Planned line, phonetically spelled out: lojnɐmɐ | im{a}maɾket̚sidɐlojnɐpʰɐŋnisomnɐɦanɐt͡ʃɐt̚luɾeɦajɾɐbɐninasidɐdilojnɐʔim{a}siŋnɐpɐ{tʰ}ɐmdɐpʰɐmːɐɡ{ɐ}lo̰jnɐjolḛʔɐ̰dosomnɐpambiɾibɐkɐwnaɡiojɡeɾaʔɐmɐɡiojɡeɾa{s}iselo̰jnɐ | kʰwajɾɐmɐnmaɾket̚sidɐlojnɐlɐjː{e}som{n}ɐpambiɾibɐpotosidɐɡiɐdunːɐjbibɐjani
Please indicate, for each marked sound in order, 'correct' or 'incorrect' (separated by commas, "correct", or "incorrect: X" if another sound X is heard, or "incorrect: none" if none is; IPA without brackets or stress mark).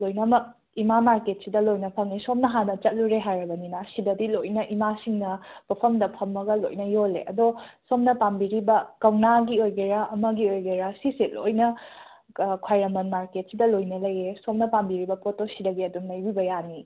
correct, correct, incorrect: pʰ, correct, correct, correct, correct